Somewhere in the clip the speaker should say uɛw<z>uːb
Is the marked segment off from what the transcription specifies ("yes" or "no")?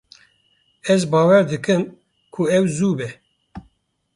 no